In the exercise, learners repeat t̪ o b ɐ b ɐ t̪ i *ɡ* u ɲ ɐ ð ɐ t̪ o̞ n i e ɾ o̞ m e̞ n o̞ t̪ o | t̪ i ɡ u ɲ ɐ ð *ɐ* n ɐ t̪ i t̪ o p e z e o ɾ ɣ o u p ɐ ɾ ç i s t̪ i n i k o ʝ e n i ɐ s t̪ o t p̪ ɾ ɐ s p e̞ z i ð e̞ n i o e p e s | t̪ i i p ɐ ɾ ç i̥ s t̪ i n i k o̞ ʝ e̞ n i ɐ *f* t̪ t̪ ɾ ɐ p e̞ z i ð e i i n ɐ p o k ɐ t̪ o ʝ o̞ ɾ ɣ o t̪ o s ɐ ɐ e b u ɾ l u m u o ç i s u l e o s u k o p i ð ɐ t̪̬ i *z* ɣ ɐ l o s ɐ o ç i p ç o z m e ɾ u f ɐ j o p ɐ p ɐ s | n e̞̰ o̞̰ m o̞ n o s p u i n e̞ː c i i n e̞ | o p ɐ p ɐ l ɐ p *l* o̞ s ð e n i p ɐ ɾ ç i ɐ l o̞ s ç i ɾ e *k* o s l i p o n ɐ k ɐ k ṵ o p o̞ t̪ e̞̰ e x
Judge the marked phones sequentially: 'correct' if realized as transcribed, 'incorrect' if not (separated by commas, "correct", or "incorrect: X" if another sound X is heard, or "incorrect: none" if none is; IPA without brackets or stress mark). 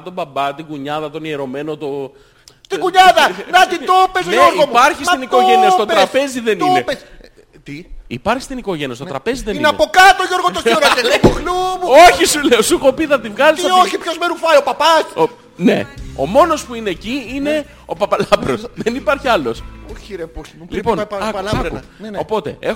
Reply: correct, correct, incorrect: s, incorrect: v, incorrect: ɾ, incorrect: p